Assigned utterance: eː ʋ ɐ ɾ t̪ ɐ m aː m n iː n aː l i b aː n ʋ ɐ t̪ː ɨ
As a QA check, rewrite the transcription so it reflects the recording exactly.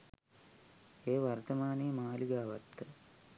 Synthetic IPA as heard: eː ʋ ɐ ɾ t̪ ɐ m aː n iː m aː l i ɡ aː ʋ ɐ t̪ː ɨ